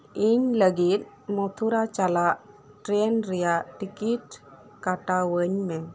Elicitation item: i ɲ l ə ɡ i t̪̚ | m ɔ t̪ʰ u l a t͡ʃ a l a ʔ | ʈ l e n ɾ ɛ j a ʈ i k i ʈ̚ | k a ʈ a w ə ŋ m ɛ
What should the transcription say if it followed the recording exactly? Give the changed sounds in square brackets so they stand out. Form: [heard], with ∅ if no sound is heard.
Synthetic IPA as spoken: i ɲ l ə ɡ i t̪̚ | m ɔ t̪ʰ u [ɾ] a t͡ʃ a l a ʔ | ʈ [ɾ] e n ɾ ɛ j a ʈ i k i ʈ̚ | k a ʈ a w ə [ɲ] m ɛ